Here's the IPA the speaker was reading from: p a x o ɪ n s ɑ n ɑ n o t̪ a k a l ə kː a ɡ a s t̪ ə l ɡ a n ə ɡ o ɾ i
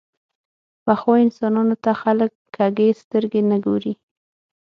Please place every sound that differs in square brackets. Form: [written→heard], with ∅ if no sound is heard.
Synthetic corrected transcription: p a x o ɪ n s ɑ n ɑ n o t̪ a [k→x] a l ə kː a ɡ [a→e] s t̪ ə [l→ɾ] ɡ [a→e] n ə ɡ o ɾ i